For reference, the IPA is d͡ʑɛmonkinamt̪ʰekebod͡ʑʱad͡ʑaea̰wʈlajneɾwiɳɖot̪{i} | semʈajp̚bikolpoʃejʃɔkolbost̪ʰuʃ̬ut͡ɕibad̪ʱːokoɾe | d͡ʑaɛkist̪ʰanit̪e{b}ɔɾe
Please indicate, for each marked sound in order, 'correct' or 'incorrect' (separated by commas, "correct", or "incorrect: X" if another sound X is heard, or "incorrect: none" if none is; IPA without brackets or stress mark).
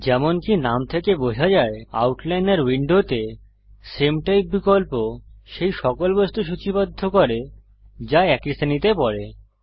incorrect: e, incorrect: p